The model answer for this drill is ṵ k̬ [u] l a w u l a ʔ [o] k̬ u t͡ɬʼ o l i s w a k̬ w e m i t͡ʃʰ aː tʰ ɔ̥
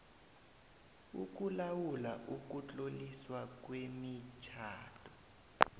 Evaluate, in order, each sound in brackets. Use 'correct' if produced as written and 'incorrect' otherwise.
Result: correct, incorrect: u

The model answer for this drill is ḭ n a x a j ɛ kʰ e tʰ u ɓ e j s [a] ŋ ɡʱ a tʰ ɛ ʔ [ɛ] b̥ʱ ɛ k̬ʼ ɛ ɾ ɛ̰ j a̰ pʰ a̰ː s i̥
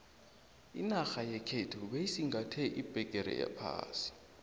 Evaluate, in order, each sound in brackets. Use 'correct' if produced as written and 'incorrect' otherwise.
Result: incorrect: i, incorrect: i

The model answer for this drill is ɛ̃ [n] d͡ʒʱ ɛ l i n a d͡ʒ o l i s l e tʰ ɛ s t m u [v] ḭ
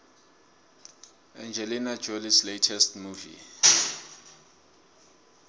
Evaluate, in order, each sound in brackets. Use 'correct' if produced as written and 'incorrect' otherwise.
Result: correct, correct

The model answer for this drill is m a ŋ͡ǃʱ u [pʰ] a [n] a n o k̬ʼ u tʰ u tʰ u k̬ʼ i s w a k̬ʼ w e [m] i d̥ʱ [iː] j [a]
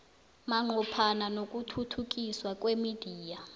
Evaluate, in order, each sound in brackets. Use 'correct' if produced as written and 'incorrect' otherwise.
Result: correct, correct, correct, correct, correct

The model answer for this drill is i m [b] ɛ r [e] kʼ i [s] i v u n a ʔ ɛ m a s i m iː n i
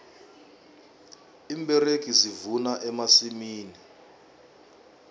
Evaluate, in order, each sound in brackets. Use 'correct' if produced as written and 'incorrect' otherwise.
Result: correct, correct, incorrect: z

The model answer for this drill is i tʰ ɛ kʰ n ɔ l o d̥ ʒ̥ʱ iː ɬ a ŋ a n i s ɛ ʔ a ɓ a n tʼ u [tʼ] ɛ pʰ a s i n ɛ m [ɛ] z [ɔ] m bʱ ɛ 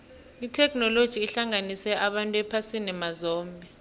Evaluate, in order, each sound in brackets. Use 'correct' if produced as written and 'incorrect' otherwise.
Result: incorrect: none, incorrect: a, incorrect: ɔː

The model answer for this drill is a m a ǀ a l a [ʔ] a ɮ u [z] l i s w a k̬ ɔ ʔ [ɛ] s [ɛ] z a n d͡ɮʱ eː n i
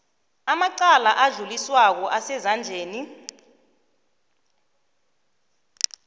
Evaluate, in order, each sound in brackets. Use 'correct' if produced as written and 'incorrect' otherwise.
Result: correct, incorrect: none, incorrect: a, correct

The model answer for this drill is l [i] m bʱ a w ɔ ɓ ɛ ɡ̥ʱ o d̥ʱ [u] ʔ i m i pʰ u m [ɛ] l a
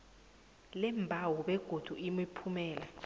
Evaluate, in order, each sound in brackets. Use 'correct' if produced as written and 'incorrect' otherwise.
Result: incorrect: ɛ, correct, incorrect: ɛː

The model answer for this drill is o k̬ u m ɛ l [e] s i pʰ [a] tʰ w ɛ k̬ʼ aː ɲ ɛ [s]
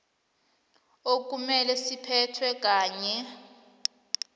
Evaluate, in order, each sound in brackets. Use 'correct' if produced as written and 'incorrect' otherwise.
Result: incorrect: ɛ, incorrect: ɛ, incorrect: none

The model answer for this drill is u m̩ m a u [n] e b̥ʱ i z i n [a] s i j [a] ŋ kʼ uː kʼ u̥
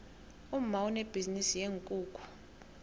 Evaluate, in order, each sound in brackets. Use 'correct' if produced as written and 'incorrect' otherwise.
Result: correct, incorrect: i, incorrect: e

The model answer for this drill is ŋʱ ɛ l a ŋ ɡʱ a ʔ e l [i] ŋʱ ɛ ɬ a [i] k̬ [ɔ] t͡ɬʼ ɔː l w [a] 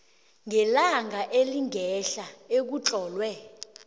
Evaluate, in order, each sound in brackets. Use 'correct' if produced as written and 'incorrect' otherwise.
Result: correct, incorrect: e, incorrect: u, incorrect: ɛ

